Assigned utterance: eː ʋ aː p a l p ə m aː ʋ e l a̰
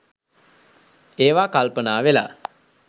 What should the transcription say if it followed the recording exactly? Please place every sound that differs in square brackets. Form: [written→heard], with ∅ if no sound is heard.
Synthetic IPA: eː ʋ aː [p→k] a l p ə [m→n] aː ʋ e l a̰